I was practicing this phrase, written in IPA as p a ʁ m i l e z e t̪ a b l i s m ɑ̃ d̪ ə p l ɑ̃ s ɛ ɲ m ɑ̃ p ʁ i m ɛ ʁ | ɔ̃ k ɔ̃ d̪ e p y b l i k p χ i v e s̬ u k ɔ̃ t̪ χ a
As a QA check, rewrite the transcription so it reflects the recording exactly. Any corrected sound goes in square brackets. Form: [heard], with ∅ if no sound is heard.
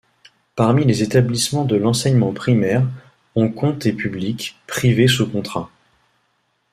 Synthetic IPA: p a ʁ m i l e z e t̪ a b l i s m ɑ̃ d̪ ə [∅] l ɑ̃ s ɛ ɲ m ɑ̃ p [χ] i m ɛ ʁ | ɔ̃ k ɔ̃ [t̪] e p y b l i k p χ i v e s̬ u k ɔ̃ t̪ χ a